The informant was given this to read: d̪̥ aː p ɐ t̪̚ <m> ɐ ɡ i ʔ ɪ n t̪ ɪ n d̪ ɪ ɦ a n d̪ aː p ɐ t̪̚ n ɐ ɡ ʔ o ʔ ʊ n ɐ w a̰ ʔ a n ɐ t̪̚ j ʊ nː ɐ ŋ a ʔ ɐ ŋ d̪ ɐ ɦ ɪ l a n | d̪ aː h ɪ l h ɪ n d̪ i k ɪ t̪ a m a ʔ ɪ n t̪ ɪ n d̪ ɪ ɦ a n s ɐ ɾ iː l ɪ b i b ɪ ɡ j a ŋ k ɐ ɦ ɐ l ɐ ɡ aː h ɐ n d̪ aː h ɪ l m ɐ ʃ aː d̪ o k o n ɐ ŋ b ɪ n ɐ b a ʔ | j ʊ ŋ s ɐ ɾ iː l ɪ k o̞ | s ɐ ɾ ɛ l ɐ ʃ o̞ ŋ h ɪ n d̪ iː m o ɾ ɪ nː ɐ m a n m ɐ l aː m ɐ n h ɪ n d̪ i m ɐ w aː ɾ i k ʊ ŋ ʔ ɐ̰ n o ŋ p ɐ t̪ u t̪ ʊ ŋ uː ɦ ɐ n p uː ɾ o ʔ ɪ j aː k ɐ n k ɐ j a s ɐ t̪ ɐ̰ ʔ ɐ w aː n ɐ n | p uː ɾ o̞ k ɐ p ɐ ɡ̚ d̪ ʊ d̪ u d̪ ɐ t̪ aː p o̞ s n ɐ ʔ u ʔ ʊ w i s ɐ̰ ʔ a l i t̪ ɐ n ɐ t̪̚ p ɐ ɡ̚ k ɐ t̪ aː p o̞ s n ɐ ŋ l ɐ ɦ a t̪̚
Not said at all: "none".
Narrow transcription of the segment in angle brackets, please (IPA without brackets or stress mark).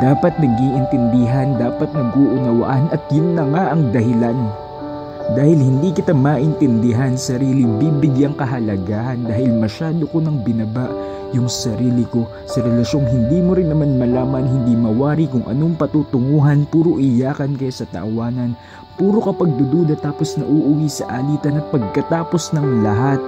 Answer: n